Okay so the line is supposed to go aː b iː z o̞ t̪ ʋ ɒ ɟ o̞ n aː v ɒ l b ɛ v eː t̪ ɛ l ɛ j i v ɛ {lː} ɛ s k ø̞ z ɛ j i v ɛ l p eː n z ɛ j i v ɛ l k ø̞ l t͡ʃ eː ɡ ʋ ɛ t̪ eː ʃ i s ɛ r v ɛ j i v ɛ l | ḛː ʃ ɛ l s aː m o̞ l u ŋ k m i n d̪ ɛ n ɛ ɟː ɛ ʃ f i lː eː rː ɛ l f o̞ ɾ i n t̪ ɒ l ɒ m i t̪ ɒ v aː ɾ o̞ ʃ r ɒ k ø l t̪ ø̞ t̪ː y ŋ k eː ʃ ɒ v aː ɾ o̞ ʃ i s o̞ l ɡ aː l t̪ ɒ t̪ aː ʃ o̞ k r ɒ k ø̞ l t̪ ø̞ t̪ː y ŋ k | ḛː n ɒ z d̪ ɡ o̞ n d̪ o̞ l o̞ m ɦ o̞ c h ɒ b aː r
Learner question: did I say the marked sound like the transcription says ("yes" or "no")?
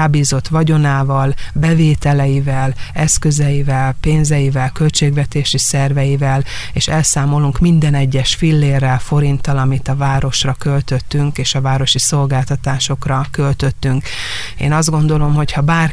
no